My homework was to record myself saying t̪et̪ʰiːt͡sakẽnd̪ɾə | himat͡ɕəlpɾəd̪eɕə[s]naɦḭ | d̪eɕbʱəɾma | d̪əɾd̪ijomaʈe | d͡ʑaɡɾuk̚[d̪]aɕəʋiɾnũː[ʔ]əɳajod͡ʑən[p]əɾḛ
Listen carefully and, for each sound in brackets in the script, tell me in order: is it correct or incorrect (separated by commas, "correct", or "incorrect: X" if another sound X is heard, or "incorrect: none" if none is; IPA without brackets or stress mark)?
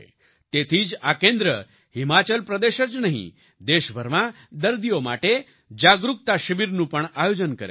incorrect: t͡s, incorrect: t̪, incorrect: p, incorrect: k